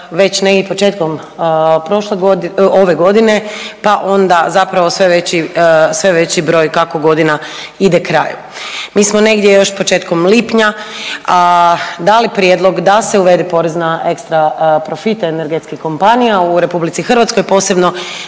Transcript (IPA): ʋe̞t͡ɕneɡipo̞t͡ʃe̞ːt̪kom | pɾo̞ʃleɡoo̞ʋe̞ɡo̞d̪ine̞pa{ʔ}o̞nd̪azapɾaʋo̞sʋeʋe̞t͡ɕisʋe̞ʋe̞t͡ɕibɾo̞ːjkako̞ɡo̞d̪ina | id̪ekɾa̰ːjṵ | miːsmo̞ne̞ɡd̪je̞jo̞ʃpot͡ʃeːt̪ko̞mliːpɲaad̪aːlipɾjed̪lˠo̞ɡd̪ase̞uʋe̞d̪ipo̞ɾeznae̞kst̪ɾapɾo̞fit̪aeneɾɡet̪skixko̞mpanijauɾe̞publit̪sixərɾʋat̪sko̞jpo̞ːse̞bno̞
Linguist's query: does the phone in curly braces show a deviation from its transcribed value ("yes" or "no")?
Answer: no